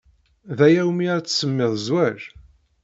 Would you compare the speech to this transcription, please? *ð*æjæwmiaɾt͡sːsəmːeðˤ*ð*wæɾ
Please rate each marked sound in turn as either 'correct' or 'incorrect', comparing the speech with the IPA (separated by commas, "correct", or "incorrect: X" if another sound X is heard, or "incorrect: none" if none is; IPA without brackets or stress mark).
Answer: correct, incorrect: z